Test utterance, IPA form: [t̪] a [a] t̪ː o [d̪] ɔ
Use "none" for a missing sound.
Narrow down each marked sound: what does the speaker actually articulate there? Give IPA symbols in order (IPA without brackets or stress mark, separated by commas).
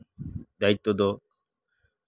d̪, i, d̪